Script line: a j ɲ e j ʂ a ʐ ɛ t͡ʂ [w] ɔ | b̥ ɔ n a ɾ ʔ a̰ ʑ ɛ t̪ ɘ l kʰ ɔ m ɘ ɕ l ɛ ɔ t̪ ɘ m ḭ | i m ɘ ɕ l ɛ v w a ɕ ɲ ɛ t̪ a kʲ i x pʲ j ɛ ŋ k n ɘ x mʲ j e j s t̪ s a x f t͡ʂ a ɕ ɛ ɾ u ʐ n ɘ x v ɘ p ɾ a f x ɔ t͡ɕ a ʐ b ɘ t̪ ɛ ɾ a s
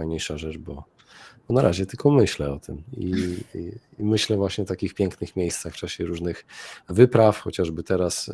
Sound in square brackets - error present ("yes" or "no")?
yes